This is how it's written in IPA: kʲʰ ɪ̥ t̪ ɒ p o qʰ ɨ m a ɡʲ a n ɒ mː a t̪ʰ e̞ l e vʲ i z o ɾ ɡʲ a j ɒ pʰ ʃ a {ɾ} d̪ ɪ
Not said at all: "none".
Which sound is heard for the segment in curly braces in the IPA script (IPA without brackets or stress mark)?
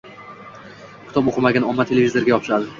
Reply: none